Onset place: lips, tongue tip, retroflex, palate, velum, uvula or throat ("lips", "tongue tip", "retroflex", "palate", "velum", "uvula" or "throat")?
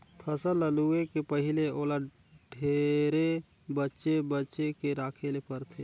lips